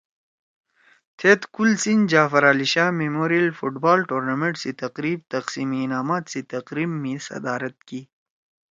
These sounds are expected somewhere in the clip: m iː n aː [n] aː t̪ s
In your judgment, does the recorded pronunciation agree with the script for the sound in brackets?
no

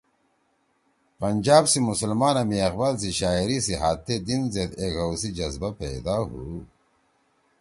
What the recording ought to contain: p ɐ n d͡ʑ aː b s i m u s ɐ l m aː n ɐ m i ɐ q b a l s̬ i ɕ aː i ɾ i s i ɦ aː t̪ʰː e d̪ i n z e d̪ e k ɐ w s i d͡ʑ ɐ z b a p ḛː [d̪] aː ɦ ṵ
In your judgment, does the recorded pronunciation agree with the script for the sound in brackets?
yes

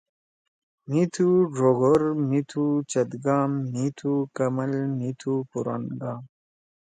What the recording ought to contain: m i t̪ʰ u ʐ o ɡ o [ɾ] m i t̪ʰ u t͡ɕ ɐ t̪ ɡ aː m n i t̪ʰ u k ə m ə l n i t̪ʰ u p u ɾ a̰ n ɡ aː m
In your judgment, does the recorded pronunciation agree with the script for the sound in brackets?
yes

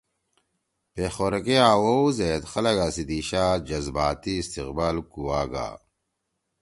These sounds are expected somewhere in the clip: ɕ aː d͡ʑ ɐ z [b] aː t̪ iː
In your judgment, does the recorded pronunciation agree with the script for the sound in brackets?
yes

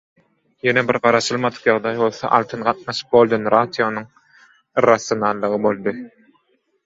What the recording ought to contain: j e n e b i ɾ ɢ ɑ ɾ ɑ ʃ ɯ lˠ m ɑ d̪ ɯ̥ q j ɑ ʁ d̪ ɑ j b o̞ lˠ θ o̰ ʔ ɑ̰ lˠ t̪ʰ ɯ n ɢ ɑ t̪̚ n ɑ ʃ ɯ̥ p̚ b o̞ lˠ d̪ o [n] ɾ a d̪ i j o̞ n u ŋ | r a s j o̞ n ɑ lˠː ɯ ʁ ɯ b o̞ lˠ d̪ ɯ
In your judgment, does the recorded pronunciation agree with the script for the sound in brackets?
yes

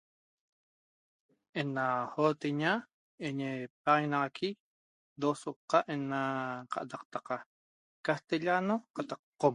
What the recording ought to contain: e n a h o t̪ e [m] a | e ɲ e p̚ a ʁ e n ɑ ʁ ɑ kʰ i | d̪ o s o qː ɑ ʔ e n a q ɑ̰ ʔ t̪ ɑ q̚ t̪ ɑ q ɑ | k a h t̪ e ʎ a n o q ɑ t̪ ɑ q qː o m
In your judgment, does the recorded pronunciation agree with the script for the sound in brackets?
no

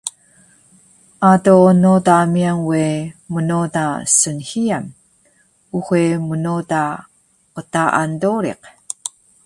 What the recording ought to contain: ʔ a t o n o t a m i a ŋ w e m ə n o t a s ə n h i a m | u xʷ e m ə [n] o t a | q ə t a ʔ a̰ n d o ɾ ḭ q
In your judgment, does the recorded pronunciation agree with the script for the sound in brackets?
yes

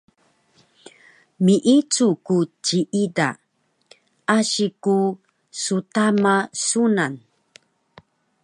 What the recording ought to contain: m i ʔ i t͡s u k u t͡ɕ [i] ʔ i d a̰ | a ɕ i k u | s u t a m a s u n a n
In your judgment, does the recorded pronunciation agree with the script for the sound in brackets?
yes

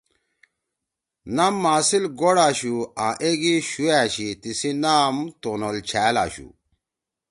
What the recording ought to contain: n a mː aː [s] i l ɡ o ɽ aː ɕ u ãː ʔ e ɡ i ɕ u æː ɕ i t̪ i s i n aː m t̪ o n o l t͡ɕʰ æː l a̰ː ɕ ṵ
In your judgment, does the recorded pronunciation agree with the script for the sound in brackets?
yes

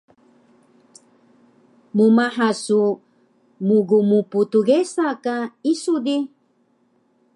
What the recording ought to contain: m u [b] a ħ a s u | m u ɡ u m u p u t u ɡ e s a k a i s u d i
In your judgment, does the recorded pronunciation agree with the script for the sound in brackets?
no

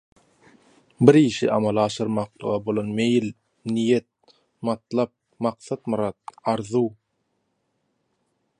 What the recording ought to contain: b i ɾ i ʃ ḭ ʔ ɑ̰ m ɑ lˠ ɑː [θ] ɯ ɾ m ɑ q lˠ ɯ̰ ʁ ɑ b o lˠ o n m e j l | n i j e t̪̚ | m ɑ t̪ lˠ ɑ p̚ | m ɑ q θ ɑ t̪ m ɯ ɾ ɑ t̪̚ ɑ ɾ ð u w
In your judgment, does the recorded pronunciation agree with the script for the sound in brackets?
no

